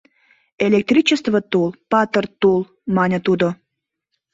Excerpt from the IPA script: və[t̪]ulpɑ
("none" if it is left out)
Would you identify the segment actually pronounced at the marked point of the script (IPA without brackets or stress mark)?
t̪